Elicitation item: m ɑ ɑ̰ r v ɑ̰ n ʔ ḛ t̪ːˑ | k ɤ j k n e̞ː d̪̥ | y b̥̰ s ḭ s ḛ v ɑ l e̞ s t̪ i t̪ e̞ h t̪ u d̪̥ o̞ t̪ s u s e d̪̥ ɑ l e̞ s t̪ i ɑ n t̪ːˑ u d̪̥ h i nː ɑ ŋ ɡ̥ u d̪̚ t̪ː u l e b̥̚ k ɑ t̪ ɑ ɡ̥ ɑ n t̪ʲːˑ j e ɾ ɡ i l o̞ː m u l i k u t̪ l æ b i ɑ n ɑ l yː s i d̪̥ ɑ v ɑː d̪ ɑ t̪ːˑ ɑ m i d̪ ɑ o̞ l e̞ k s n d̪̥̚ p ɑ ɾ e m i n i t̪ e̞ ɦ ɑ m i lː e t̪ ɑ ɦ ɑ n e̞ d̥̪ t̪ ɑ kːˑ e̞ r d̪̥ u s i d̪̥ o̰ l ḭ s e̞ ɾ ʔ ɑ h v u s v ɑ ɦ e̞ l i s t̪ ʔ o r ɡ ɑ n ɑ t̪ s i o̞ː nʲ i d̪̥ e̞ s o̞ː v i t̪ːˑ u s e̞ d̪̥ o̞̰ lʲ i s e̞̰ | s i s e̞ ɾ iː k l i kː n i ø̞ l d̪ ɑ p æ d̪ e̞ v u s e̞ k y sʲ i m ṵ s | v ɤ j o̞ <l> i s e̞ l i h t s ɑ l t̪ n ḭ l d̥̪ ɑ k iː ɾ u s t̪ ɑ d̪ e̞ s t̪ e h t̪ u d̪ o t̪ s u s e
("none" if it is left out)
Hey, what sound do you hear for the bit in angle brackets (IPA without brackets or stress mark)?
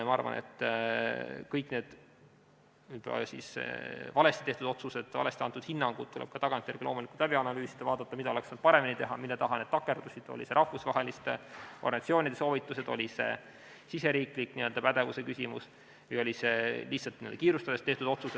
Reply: l